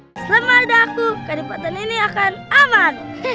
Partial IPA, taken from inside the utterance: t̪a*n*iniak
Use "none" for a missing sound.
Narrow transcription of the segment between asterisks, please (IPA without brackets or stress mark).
n